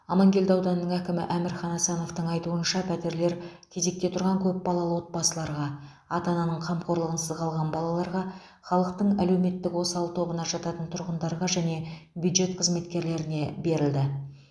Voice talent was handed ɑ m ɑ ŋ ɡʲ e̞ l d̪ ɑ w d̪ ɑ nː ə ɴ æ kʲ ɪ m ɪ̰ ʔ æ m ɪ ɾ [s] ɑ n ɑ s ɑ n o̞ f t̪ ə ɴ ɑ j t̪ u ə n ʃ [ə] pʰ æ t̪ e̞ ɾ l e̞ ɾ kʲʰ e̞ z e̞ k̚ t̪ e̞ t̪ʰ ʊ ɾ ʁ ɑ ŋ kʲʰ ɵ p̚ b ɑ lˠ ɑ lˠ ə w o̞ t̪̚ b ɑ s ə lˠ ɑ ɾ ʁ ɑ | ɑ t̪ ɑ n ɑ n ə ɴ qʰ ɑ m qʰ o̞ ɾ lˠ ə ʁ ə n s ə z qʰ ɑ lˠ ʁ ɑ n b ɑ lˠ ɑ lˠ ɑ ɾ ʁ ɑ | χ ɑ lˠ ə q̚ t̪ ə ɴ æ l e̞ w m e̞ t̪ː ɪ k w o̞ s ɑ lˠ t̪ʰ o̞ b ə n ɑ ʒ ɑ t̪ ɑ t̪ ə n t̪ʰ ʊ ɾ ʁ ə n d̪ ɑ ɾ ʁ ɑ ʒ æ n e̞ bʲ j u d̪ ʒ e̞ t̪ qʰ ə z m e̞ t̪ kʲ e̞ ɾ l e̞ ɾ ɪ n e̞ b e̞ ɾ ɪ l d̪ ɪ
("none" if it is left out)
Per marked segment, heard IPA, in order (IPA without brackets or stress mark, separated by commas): χ, ɑ